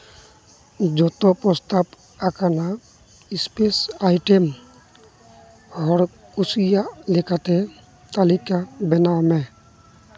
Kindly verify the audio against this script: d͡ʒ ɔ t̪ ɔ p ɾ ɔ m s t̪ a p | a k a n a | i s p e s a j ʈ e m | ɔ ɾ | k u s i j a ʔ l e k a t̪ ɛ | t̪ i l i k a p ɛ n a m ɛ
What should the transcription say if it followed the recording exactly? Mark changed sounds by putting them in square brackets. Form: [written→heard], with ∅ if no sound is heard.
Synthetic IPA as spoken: d͡ʒ ɔ t̪ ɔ p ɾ ɔ [m→∅] s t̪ a p | a k a n a | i s p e s a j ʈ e m | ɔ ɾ | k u s i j a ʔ l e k a t̪ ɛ | t̪ [i→a] l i k a [p→b] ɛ n a m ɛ